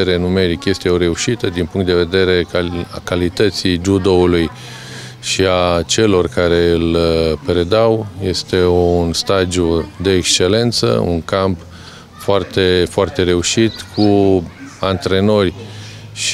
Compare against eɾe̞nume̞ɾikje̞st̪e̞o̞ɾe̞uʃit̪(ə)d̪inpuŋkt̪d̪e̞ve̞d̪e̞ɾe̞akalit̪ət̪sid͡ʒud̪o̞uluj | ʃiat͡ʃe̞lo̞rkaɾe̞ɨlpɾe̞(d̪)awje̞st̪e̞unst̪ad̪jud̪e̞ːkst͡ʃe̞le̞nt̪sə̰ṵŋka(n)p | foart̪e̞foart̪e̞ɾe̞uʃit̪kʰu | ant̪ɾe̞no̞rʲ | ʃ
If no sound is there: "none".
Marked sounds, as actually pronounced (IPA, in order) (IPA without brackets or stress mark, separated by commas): ə, d̪, m